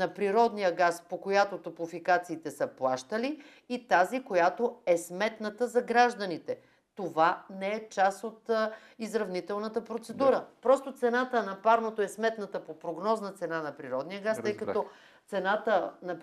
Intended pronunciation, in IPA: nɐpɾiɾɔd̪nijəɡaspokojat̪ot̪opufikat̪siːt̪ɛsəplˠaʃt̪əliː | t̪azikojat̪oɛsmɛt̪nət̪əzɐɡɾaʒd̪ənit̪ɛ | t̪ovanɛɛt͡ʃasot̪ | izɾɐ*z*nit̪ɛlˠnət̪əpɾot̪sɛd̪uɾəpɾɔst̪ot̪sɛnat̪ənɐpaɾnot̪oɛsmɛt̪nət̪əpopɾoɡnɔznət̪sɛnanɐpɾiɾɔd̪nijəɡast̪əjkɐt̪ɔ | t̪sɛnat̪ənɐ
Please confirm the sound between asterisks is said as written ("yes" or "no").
no